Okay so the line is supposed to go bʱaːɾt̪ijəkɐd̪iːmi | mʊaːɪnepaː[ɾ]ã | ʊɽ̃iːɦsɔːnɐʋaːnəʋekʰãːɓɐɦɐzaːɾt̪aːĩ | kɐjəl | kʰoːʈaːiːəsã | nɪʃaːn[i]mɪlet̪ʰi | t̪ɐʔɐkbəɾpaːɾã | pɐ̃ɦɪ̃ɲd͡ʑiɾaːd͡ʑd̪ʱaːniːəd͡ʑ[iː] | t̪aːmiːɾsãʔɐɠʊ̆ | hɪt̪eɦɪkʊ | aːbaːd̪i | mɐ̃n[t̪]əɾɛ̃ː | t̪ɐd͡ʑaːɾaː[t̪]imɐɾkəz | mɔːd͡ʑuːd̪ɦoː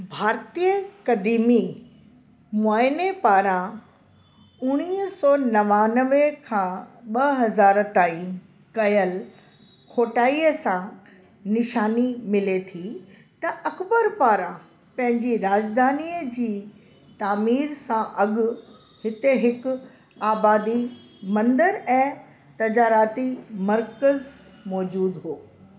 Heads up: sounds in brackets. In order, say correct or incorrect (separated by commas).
correct, correct, correct, incorrect, correct